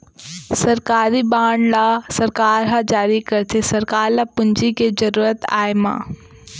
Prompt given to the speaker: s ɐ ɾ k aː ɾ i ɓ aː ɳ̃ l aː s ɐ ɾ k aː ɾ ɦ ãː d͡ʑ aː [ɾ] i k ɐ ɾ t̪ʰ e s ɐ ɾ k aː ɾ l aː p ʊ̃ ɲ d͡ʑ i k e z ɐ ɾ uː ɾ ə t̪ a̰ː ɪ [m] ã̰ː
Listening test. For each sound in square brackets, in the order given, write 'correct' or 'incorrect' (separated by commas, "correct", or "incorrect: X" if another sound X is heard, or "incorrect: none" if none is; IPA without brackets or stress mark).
correct, correct